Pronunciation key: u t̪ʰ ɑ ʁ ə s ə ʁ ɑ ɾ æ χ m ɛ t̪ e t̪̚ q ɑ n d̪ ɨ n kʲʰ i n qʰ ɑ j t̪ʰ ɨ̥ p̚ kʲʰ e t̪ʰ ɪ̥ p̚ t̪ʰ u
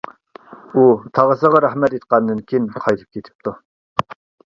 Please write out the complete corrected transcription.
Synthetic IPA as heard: u t̪ʰ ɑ ʁ ə s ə ʁ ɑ ɾ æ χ m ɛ t̪ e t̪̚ q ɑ n d̪ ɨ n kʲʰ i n qʰ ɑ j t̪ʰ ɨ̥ p̚ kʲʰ e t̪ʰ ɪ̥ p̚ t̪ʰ u